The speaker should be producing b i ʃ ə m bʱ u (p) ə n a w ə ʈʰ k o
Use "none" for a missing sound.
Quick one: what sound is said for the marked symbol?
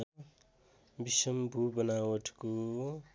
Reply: b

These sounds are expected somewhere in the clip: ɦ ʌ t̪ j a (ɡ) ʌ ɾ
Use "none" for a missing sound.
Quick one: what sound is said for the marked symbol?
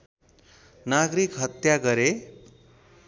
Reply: ɡ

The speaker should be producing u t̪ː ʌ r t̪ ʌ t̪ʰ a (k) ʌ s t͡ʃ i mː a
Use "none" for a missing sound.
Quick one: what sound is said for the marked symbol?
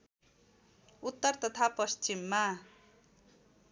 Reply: p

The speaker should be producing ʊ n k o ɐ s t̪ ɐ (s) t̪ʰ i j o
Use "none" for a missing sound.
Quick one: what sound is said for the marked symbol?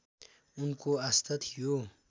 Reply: none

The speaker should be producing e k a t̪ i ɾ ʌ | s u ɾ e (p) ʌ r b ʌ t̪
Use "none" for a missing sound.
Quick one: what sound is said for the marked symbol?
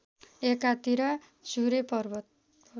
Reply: p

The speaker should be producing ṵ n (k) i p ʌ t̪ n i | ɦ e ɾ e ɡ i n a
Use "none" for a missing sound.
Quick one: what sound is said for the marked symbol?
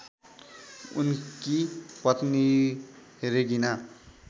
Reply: k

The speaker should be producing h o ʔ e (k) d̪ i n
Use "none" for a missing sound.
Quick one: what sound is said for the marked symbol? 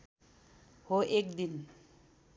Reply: k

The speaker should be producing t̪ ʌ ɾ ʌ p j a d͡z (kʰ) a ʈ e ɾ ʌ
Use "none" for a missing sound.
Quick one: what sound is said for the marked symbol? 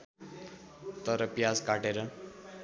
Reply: k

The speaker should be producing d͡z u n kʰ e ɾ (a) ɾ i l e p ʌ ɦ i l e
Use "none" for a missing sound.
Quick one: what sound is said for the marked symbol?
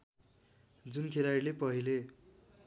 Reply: a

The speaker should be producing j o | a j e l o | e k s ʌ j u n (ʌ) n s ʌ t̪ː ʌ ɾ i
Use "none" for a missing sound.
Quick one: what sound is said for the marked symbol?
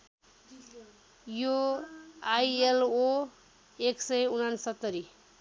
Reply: a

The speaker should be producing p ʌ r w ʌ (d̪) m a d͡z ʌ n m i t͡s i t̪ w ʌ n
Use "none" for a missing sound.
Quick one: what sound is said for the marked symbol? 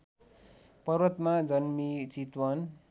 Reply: t̪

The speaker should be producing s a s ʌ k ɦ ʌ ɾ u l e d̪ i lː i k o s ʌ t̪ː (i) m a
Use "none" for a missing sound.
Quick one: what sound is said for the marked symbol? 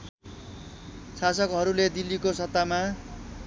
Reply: a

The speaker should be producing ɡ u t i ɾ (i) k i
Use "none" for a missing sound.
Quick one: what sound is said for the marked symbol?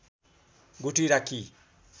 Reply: a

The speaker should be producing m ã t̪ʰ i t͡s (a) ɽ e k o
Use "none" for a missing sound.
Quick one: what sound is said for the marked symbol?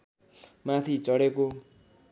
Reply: ʌ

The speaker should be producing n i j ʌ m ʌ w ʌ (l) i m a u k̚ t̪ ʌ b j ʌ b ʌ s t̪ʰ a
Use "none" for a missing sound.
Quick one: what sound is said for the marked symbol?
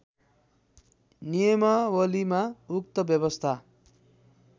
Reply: l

